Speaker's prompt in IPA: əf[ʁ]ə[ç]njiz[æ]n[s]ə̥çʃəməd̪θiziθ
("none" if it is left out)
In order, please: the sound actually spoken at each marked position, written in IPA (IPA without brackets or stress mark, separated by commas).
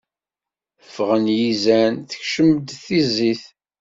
ʁ, none, æ, θ